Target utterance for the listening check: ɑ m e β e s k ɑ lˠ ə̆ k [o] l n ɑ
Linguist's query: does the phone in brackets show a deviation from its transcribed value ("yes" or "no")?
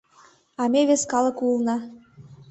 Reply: yes